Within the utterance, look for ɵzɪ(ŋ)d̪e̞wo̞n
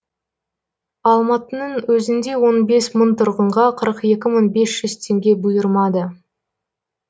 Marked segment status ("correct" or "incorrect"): incorrect